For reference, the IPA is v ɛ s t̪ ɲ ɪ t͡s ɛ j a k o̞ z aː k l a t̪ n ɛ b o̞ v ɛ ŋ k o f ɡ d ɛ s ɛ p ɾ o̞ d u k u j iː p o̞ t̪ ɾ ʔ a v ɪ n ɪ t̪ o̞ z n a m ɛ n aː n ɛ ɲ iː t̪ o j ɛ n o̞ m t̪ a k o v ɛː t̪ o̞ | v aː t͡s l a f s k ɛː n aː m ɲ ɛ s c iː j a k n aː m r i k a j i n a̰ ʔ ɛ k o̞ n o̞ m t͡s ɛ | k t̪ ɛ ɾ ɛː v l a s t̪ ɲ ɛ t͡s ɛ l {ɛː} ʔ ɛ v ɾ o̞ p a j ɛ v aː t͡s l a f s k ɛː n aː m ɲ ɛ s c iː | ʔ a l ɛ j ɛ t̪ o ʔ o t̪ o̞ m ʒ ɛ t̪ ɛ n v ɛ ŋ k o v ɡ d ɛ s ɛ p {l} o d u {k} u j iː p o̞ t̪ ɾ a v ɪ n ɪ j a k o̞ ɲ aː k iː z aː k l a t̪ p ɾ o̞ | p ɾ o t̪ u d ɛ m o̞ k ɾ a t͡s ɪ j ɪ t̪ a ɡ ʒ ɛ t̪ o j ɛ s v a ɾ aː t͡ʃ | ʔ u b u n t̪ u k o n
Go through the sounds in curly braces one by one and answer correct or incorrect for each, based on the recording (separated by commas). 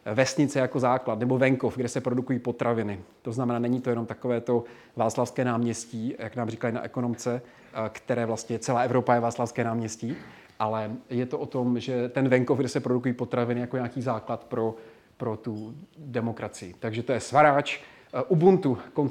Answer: incorrect, incorrect, correct